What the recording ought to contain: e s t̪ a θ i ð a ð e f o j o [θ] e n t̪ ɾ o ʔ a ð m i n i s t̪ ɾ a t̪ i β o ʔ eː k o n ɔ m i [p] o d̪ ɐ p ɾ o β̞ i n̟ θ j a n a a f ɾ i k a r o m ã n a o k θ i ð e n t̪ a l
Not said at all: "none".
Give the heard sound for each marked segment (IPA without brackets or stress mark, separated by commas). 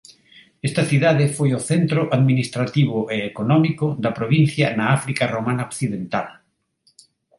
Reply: θ, k